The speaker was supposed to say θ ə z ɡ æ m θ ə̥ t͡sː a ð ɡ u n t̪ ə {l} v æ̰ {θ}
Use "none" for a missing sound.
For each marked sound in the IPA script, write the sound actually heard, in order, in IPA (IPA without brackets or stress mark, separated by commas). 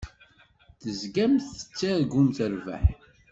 ɾ, ħ